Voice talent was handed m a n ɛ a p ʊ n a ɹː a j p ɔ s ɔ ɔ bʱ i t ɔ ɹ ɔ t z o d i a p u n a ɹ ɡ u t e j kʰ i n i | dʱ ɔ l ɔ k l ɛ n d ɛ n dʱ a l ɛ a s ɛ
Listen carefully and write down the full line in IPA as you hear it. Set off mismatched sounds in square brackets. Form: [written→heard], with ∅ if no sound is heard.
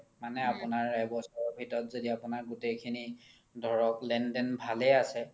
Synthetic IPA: m a n ɛ a p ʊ n a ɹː a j [p→b] ɔ s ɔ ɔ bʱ i t ɔ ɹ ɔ t z o d i a p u n a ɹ ɡ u t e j kʰ i n i | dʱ ɔ [l→ɹ] ɔ k l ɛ n d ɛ n [dʱ→bʱ] a l ɛ a s ɛ